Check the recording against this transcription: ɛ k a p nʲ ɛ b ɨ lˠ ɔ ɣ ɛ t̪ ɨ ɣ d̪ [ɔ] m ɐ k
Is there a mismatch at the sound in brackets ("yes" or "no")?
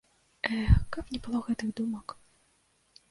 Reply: yes